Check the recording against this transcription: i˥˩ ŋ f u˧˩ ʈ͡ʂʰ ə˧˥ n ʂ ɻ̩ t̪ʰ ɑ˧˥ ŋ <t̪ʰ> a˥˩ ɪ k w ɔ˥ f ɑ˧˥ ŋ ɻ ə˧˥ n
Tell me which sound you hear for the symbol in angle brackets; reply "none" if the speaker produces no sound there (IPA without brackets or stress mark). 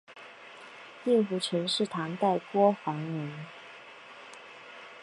t̪